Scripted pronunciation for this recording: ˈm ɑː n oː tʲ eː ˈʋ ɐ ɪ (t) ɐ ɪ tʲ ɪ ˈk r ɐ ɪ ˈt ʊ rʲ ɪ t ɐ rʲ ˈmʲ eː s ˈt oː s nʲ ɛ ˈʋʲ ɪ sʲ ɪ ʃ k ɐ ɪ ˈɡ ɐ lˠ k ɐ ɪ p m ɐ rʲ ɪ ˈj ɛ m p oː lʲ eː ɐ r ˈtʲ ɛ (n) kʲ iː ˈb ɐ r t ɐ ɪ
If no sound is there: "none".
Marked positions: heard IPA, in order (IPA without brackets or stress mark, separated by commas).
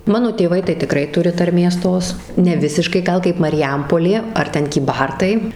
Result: t, n